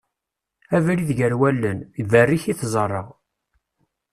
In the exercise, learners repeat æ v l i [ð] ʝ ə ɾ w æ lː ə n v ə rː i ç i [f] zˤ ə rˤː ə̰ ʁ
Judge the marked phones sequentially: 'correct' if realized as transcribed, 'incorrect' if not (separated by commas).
correct, incorrect